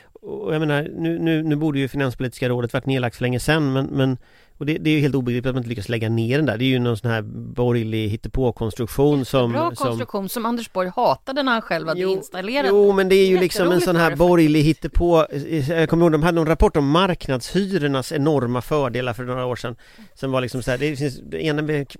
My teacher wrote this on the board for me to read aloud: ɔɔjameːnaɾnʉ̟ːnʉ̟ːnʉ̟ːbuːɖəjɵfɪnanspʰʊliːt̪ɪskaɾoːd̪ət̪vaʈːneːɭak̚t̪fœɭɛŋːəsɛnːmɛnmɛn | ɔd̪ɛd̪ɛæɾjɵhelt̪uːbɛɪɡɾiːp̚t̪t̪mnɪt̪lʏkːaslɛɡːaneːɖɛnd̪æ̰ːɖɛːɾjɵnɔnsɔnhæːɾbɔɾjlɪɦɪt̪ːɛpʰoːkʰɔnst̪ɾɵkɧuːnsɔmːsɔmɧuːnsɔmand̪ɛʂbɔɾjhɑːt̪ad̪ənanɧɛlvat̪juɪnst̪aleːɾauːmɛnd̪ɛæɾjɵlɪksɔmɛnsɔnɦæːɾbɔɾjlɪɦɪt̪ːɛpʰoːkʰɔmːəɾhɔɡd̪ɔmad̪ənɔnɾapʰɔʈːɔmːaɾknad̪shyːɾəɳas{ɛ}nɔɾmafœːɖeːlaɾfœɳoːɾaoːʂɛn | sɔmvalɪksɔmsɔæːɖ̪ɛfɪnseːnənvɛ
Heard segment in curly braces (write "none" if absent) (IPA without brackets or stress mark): ɛ